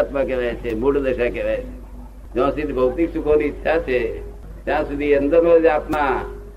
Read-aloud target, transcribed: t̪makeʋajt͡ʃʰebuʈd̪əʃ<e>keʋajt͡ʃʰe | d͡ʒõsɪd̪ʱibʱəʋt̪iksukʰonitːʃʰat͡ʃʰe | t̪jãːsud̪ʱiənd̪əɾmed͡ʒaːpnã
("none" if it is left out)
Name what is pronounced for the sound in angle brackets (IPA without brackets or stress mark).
a